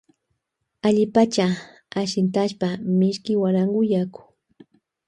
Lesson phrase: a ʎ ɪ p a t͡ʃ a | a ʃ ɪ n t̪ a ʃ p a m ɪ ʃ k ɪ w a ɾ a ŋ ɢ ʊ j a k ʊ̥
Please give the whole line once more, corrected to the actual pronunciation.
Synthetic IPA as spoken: a ʎ ɪ p a t͡ʃ a | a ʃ ɪ n t̪ a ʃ p a m ɪ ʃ k ɪ w a ɾ a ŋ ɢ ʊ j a k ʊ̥